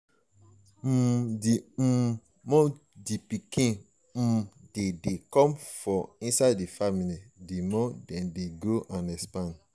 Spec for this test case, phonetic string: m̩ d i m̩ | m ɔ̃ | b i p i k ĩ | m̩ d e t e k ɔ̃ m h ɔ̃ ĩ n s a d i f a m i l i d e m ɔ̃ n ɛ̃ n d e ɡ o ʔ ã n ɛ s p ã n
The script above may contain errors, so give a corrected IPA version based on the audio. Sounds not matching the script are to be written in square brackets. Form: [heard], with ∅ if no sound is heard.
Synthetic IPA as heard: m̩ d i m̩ | m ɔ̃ | [d] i p i k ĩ | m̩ d e [d] e k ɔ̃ m [f] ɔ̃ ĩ n s a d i f a m i l i d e m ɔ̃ [d] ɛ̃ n d e ɡ o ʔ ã n ɛ s p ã n